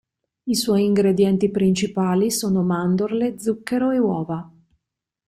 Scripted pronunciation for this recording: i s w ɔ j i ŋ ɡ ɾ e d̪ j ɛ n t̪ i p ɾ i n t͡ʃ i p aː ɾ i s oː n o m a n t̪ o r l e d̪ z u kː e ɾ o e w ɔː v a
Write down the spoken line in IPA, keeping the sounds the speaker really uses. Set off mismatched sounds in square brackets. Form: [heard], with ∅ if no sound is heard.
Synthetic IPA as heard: i s w ɔ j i ŋ ɡ ɾ e d̪ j ɛ n t̪ i p ɾ i n t͡ʃ i p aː [l] i s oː n o m a n [d̪] o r l e d̪ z u kː e ɾ o e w ɔː v a

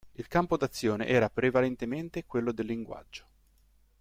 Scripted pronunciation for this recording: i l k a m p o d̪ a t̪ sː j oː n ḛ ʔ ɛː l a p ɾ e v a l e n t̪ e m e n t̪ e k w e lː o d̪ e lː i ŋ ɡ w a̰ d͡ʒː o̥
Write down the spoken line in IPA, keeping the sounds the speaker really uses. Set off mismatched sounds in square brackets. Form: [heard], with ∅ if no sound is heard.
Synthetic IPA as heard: i l k a m p o d̪ a t̪ sː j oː n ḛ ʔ ɛː [ɾ] a p ɾ e v a l e n t̪ e m e n t̪ e k w e lː o d̪ e lː i ŋ ɡ w a̰ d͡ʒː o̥

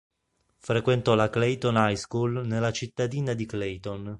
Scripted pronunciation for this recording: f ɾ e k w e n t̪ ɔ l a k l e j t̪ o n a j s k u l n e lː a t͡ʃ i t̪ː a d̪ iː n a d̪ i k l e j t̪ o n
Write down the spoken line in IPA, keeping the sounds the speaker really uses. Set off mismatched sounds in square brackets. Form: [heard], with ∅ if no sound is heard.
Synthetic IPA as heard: f ɾ e k w e n t̪ ɔ l a k l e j t̪ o n a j s k u l n e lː a t͡ʃ i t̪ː a d̪ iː n a d̪ i k l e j t̪ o n

